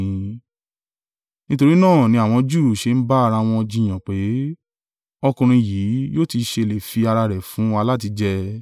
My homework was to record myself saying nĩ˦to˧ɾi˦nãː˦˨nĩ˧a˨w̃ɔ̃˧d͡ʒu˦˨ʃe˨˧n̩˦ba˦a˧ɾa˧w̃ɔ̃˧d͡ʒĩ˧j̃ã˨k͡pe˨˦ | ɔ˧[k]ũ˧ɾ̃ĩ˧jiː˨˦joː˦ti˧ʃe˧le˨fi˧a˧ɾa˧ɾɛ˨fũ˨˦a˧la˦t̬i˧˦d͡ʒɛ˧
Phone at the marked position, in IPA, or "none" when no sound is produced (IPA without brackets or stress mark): k